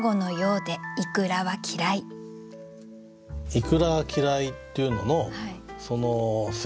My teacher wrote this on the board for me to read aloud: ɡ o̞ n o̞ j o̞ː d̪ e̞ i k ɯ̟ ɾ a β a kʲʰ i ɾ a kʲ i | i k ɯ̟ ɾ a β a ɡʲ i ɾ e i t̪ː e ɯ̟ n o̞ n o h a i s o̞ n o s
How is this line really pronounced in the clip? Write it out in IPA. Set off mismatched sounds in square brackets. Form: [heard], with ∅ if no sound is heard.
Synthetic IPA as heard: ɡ o̞ n o̞ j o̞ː d̪ e̞ i k ɯ̟ ɾ a β a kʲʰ i ɾ a [∅] i | i k ɯ̟ ɾ a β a [kʲ] i ɾ [a] i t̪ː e ɯ̟ n o̞ n o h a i s o̞ n o s

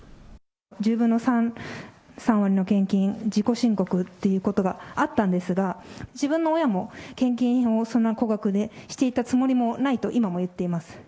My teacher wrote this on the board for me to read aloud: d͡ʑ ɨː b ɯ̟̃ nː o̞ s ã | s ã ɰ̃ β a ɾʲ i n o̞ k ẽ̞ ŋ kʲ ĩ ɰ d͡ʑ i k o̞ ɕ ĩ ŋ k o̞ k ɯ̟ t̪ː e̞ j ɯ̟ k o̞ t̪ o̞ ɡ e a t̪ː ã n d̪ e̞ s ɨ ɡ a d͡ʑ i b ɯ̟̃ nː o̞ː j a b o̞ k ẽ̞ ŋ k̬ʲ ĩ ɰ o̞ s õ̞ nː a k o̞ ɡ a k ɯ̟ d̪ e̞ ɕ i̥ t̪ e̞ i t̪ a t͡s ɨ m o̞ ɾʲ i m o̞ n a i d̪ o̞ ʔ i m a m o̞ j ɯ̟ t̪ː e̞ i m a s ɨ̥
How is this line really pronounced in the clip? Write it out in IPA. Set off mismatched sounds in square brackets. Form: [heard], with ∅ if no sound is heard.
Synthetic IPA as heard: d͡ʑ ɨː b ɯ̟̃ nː o̞ s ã | s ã ɰ̃ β a ɾʲ i n o̞ k ẽ̞ ŋ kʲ ĩ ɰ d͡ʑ i k o̞ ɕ ĩ ŋ k o̞ k ɯ̟ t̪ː e̞ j ɯ̟ k o̞ t̪ o̞ ɡ [a] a t̪ː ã n d̪ e̞ s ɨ ɡ a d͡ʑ i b ɯ̟̃ nː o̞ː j a [m] o̞ k ẽ̞ ŋ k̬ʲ ĩ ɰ o̞ s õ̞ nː a k o̞ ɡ a k ɯ̟ d̪ e̞ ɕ i̥ t̪ e̞ i t̪ a t͡s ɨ m o̞ ɾʲ i m o̞ n a i [t̪] o̞ ʔ i m a m o̞ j ɯ̟ t̪ː e̞ i m a s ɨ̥

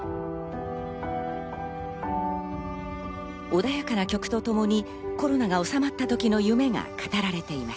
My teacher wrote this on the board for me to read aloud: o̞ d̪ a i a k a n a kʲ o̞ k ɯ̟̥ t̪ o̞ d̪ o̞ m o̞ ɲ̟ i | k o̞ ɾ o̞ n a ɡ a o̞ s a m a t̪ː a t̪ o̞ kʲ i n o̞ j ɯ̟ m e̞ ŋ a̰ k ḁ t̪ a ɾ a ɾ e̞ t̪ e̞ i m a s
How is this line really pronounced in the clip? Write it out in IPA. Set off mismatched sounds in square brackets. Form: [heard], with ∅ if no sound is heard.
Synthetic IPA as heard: o̞ d̪ a [j] a k a n a kʲ o̞ k ɯ̟̥ t̪ o̞ [t̪] o̞ m o̞ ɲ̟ i | k o̞ ɾ o̞ n a ɡ a o̞ s a m a t̪ː a t̪ o̞ kʲ i n o̞ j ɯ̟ m e̞ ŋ a̰ k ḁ t̪ a ɾ a ɾ e̞ t̪ e̞ i m a s

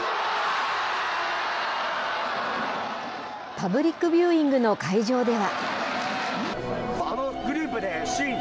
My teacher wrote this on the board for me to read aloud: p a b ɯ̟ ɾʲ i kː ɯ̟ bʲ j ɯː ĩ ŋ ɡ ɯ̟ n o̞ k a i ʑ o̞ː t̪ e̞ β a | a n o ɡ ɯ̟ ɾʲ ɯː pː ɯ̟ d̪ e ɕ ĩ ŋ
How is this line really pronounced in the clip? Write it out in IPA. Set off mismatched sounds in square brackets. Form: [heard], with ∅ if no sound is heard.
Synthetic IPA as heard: p a b ɯ̟ ɾʲ i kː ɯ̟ bʲ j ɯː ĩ ŋ ɡ ɯ̟ n o̞ k a i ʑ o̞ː [d̪] e̞ β a | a n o ɡ ɯ̟ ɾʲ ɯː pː ɯ̟ d̪ e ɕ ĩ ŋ

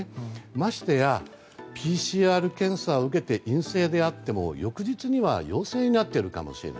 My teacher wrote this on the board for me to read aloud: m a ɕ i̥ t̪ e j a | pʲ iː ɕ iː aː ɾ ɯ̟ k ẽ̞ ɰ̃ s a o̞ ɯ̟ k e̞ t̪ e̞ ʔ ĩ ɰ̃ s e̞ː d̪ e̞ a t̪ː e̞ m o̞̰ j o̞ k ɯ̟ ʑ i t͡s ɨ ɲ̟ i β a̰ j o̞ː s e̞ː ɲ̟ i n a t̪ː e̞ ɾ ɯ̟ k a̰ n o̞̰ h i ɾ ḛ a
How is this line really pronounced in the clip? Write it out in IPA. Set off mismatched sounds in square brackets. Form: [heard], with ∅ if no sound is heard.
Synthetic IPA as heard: m a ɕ i̥ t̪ e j a | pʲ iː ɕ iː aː ɾ ɯ̟ k ẽ̞ ɰ̃ s a o̞ ɯ̟ k e̞ t̪ e̞ ʔ ĩ ɰ̃ s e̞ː d̪ e̞ a t̪ː e̞ m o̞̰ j o̞ k ɯ̟ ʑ i t͡s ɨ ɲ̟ i β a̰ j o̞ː s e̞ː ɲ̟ i n a t̪ː e̞ ɾ ɯ̟ k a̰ [m] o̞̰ [ɕ] i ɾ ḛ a

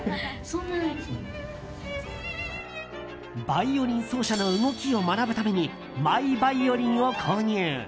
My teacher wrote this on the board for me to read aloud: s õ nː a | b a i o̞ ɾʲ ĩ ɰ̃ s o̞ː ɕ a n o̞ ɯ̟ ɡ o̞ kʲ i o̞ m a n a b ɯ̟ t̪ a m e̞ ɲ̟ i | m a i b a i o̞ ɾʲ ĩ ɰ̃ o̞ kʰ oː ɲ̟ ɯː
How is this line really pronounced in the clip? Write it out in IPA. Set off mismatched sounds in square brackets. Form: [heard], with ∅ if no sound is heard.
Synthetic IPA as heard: s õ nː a | b a i o̞ ɾʲ ĩ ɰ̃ s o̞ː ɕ a n o̞ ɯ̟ ɡ o̞ kʲ i o̞ m a n a b ɯ̟ t̪ a m e̞ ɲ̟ i | m a i b a i o̞ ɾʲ ĩ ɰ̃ o̞ kʰ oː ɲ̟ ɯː

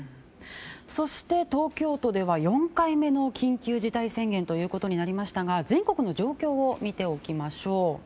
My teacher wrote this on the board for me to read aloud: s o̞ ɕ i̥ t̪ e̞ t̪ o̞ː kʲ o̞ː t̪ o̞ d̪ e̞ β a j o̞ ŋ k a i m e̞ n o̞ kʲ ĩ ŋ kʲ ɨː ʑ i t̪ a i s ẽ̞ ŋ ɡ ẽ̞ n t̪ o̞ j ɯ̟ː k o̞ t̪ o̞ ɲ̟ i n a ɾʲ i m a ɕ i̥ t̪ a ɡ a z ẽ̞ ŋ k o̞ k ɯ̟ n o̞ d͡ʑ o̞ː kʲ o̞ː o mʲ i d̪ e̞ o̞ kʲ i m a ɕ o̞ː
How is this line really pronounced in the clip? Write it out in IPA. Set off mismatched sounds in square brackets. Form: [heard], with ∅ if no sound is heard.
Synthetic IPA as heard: s o̞ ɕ i̥ t̪ e̞ t̪ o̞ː kʲ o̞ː t̪ o̞ d̪ e̞ β a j [õ̞] ŋ k a i m e̞ n o̞ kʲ ĩ ŋ kʲ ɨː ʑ i t̪ a i s ẽ̞ ŋ ɡ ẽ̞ n t̪ o̞ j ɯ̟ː k o̞ t̪ o̞ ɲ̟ i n a ɾʲ i m a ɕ i̥ t̪ a ɡ a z ẽ̞ ŋ k o̞ k ɯ̟ n o̞ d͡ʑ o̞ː kʲ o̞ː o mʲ i [t̪] e̞ o̞ kʲ i m a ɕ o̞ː

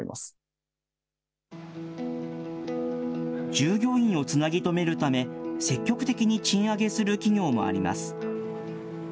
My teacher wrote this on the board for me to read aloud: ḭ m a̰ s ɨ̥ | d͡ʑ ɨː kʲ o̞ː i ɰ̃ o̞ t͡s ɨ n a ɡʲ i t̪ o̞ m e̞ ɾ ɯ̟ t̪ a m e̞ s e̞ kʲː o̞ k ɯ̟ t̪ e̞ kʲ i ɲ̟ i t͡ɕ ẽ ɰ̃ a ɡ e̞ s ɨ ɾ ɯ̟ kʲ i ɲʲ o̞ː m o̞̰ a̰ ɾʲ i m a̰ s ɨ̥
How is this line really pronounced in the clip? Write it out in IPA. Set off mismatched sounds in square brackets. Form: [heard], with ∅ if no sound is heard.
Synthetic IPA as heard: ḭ m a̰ s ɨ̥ | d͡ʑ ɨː [ɡʲ] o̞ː [ĩ] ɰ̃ o̞ t͡s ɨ n a ɡʲ i t̪ o̞ m e̞ ɾ ɯ̟ t̪ a m e̞ s e̞ kʲː o̞ k ɯ̟ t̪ e̞ kʲ i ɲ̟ i t͡ɕ [ĩ] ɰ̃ a ɡ e̞ s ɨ ɾ ɯ̟ kʲ i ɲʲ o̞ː m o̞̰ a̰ ɾʲ i m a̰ s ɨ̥

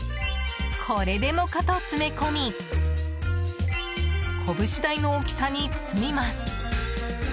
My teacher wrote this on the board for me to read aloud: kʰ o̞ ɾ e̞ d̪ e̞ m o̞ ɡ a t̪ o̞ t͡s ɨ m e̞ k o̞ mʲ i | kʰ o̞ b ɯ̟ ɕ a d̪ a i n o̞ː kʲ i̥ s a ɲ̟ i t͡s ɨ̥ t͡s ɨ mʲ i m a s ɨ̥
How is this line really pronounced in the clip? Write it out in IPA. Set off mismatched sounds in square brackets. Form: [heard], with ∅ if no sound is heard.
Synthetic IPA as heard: kʰ o̞ ɾ e̞ d̪ e̞ m o̞ [k] a t̪ o̞ t͡s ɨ m e̞ k o̞ mʲ i | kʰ o̞ b ɯ̟ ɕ [i] d̪ a i n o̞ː kʲ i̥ s a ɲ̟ i t͡s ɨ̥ t͡s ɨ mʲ i m a s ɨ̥

